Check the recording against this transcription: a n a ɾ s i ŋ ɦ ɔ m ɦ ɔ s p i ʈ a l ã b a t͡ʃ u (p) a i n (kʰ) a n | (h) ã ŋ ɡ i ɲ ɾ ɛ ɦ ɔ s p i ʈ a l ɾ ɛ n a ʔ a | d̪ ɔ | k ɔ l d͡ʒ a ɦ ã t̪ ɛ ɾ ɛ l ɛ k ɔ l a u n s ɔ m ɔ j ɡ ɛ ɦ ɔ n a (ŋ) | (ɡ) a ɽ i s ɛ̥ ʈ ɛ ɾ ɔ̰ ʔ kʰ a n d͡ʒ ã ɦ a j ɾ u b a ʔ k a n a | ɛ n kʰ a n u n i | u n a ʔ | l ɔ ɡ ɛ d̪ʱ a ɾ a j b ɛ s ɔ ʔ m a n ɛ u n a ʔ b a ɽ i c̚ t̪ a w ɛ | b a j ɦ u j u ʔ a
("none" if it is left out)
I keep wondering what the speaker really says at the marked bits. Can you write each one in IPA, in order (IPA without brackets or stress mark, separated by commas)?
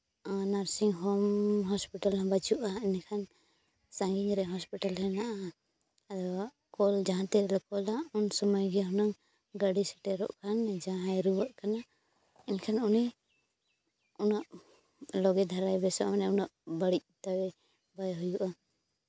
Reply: ʔ, kʰ, s, ŋ, ɡ